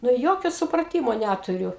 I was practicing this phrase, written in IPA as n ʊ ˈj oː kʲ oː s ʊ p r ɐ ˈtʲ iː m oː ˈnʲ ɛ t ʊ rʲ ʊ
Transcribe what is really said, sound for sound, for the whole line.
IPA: n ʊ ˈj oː kʲ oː s ʊ p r ɐ ˈtʲ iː m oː ˈnʲ æ t ʊ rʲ ʊ